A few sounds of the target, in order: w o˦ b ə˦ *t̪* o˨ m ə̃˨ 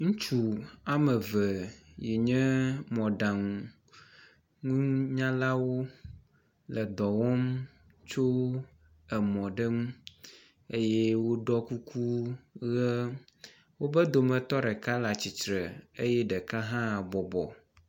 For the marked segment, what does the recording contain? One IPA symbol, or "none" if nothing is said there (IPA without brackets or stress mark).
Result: d̪